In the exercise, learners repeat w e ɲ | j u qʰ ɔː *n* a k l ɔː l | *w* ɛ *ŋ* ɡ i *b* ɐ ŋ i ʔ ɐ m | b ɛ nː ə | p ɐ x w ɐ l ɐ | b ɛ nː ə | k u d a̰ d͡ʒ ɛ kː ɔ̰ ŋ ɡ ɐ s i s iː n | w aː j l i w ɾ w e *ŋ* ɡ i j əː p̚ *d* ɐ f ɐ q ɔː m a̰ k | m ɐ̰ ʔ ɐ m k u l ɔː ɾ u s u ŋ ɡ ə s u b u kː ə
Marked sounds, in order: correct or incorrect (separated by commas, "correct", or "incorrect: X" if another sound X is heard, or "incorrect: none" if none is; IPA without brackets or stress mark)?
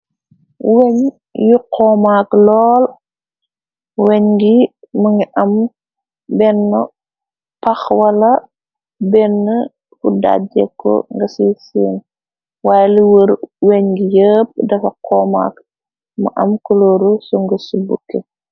incorrect: m, correct, incorrect: ɲ, incorrect: m, incorrect: ɲ, correct